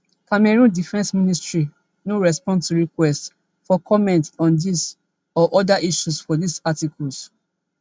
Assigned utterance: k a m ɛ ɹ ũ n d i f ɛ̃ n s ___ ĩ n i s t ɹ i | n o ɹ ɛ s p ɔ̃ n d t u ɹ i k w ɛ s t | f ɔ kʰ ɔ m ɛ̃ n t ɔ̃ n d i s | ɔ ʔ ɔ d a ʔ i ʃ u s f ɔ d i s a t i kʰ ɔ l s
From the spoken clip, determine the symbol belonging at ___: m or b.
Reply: m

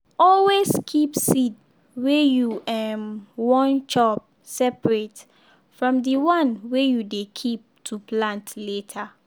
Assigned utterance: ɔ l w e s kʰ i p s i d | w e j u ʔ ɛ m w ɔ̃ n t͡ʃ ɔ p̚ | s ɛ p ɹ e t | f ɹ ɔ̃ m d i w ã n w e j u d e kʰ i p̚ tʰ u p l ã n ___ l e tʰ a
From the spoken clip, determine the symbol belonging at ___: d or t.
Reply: t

